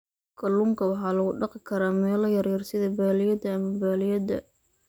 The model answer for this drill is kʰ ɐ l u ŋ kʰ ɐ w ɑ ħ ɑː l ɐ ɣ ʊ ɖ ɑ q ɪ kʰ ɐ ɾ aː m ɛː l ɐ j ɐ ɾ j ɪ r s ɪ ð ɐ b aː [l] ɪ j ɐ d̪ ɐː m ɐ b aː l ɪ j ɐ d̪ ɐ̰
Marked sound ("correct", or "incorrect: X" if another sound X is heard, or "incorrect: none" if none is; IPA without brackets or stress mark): correct